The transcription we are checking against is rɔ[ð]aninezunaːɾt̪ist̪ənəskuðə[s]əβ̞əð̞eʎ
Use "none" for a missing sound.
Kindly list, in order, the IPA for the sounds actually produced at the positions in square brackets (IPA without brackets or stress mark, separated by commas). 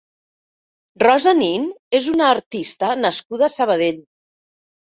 z, s